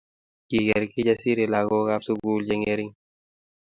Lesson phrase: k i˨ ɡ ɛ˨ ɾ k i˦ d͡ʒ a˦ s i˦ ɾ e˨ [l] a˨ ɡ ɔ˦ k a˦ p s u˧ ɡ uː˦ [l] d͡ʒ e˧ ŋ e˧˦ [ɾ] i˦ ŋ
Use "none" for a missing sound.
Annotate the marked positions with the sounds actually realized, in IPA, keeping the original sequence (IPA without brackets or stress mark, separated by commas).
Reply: l, l, ɾ